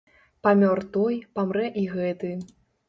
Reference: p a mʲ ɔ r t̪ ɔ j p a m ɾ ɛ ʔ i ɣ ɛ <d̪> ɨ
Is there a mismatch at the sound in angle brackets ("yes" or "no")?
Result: yes